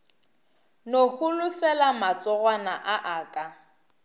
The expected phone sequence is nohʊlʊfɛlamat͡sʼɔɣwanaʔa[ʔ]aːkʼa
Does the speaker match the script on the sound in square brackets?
yes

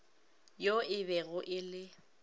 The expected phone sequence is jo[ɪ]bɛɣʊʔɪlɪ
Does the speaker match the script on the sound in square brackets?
yes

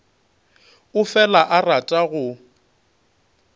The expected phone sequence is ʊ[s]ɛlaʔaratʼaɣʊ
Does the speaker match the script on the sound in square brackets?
no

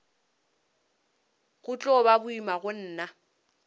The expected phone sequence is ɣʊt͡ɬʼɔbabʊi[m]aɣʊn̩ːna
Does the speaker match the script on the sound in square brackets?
yes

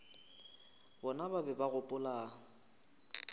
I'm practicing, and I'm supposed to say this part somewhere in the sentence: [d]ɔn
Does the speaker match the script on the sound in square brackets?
no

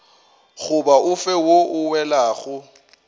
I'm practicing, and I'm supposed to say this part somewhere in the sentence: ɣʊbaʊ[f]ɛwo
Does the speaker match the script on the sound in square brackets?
yes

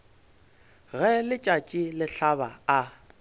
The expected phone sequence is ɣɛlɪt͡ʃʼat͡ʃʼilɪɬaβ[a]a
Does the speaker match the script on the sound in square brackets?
yes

